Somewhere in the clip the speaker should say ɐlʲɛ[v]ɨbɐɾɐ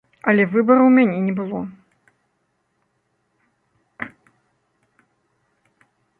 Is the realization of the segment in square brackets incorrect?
no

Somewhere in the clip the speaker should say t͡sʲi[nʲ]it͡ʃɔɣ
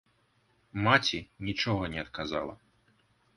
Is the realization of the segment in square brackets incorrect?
no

